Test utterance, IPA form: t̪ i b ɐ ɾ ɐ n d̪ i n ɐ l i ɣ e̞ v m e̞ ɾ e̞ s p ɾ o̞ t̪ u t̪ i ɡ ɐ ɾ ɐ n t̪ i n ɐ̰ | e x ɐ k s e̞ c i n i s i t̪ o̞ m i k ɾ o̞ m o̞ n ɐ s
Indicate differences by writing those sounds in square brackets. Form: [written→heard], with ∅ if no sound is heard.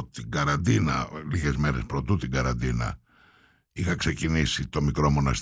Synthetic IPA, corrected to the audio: t̪ i [b→ɡ] ɐ ɾ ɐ n d̪ i n ɐ l i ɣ e̞ [v→z] m e̞ ɾ e̞ s p ɾ o̞ t̪ u t̪ i ɡ ɐ ɾ ɐ n [t̪→d̪] i n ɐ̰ | [e→i] x ɐ k s e̞ c i n i s i t̪ o̞ m i k ɾ o̞ m o̞ n ɐ s